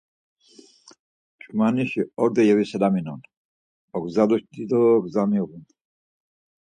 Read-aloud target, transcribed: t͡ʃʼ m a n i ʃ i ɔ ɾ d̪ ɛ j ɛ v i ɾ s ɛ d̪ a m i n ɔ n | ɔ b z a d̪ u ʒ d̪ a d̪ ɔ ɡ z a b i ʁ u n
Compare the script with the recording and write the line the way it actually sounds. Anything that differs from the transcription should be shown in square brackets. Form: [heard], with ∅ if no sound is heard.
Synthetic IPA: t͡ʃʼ m a n i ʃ i ɔ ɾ d̪ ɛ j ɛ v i [∅] s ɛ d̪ a m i n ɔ n | ɔ [ɡ] z a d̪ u [ʃ] d̪ [i] d̪ ɔ ɡ z a [m] i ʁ u n